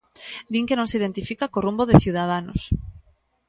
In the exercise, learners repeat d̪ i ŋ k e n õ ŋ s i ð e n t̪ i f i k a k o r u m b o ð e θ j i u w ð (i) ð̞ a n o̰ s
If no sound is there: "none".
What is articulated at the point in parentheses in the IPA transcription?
a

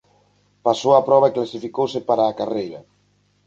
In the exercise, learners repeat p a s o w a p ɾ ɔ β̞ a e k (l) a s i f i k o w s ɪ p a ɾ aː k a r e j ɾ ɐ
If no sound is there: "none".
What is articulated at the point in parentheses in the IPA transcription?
l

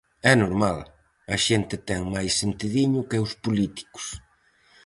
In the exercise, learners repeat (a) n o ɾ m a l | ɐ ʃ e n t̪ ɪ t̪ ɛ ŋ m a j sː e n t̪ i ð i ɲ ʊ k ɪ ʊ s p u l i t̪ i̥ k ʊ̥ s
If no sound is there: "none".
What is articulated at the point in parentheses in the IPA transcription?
ɛ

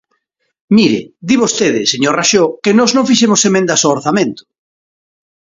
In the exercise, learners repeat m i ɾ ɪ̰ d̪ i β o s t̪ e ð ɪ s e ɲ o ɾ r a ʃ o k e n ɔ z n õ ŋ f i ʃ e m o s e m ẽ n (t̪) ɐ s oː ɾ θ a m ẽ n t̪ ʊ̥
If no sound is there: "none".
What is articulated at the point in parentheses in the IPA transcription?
d̪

